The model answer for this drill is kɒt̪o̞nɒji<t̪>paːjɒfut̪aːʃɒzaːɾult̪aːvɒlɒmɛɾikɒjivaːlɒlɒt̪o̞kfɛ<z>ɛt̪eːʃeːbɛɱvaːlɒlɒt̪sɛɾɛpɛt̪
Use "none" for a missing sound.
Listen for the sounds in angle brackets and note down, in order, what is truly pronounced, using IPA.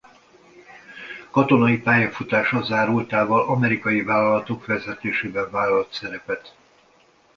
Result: none, z

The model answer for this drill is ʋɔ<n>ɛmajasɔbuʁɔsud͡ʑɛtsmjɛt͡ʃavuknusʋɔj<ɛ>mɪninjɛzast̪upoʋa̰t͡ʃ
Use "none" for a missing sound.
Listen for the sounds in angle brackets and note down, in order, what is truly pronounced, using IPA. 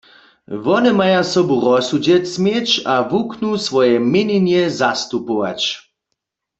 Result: n, ɛ

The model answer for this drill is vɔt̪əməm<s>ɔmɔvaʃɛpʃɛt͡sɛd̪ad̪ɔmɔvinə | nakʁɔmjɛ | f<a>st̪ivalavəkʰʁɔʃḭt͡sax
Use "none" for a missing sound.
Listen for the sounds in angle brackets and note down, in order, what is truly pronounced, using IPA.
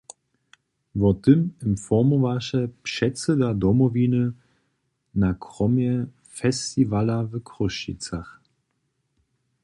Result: f, ɛ

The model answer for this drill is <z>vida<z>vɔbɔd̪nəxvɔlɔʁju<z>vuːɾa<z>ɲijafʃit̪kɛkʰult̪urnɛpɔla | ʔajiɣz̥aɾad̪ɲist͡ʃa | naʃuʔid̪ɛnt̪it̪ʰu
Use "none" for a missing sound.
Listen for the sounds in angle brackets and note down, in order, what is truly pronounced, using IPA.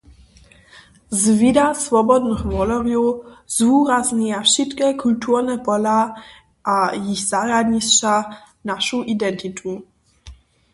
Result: z, s, z, z

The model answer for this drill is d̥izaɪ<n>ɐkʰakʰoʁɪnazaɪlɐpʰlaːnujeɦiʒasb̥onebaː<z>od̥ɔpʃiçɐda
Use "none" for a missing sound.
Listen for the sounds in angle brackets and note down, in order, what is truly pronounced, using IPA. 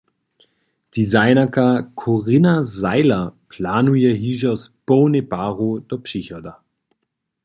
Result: n, ʁ

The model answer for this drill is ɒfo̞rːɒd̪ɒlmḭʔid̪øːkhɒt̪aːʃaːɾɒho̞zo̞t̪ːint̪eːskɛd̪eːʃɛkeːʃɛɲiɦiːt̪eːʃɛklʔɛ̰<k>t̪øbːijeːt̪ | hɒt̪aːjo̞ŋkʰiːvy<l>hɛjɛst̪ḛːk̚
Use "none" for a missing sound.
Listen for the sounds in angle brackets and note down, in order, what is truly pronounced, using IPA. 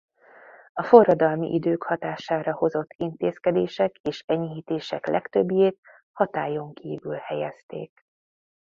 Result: k, l

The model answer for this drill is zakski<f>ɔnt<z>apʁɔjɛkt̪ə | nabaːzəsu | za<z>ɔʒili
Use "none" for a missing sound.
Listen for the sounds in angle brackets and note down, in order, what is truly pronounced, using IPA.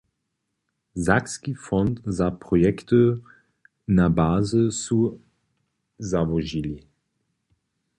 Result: f, z, v

